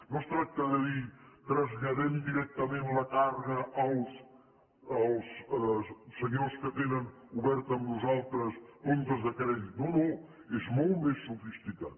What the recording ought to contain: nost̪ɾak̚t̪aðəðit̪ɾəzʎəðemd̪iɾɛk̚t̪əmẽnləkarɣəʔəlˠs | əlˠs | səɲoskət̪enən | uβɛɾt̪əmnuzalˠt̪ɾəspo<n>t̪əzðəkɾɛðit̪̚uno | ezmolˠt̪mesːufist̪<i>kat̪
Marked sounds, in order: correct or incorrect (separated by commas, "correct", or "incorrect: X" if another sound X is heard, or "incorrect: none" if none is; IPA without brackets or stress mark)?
correct, correct